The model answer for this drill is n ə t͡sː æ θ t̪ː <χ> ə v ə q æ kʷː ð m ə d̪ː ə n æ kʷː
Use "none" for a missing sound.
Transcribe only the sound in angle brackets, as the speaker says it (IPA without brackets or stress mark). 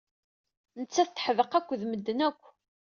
ħ